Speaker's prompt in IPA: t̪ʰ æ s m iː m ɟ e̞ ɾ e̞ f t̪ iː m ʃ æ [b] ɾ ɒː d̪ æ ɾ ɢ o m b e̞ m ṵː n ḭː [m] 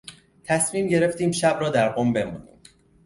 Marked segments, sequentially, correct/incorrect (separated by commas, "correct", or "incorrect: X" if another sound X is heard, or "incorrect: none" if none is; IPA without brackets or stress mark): correct, correct